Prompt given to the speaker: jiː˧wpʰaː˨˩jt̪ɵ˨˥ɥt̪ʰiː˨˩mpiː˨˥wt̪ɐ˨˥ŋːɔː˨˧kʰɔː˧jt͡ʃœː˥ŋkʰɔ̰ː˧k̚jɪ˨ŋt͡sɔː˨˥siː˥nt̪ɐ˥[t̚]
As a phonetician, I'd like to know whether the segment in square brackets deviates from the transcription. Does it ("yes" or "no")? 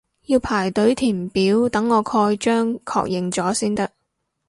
yes